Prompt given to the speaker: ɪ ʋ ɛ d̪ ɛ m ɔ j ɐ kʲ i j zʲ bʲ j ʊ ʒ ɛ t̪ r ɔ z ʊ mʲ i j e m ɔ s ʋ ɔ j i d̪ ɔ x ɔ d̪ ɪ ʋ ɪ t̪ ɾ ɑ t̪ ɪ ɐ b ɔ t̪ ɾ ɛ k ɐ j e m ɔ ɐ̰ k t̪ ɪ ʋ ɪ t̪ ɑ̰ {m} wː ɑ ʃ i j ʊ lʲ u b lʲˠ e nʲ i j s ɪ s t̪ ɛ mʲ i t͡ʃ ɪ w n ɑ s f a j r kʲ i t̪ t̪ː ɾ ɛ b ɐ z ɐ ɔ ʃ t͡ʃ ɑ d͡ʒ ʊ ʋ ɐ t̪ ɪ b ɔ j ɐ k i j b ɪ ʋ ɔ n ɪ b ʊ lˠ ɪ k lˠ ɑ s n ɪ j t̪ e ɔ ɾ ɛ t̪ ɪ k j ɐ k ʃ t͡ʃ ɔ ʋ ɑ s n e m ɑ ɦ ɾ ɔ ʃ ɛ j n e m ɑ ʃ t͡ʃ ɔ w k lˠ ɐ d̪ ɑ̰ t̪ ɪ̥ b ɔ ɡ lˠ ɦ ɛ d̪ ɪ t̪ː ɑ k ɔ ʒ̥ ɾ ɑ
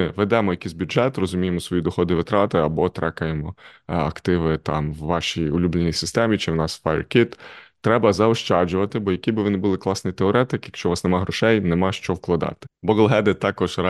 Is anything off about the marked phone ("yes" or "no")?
no